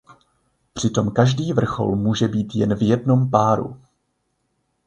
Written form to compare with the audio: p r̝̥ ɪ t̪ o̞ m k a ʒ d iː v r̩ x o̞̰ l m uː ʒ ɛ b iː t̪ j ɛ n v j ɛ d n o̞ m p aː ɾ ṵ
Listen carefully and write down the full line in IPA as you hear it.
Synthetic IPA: p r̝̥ ɪ t̪ o̞ m k a ʒ d iː v r̩ x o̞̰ l m uː ʒ ɛ b iː t̪ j ɛ n v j ɛ d n o̞ m p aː ɾ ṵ